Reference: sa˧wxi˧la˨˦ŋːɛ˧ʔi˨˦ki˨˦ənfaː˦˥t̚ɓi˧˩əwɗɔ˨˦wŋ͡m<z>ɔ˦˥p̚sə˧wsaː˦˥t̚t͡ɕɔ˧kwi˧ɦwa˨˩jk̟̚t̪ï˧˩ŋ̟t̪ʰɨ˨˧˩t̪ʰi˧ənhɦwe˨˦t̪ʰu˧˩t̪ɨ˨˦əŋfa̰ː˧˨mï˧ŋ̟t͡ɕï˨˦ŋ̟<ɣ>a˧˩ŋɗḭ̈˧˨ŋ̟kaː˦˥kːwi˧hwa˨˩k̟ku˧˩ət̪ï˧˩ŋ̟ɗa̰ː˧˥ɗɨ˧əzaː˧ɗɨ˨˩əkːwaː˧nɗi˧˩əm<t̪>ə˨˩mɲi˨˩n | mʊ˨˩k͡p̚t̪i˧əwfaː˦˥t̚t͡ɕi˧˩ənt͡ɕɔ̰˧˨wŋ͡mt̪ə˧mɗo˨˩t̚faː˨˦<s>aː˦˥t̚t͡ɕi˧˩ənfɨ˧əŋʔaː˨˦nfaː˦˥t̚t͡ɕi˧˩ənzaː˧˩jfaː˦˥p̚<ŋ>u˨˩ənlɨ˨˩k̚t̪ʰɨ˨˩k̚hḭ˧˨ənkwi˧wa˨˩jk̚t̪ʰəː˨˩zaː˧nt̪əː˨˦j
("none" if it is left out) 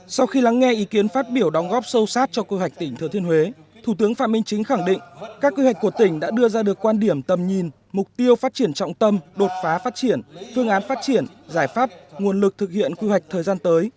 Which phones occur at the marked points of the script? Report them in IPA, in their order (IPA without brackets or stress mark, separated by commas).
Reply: ɣ, x, t̪, f, ŋ